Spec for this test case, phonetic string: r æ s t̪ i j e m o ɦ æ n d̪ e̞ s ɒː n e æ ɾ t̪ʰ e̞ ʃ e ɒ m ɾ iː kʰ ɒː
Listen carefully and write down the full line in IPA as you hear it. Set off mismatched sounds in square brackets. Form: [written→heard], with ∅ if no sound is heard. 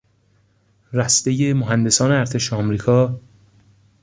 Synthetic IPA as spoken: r æ s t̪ [i→e] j e m o ɦ æ n d̪ e̞ s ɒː n e æ ɾ t̪ʰ e̞ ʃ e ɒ m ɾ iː kʰ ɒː